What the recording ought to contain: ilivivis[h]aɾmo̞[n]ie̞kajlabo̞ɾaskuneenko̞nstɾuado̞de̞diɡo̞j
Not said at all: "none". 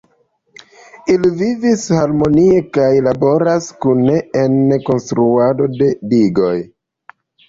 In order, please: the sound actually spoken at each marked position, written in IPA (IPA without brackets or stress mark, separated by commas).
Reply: h, n